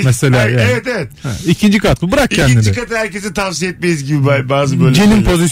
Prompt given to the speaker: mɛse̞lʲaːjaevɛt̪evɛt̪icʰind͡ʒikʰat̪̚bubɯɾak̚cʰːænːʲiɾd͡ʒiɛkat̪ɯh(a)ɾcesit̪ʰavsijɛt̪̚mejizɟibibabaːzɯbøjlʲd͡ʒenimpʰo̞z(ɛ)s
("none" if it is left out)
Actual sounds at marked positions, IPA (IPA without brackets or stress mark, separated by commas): æ, i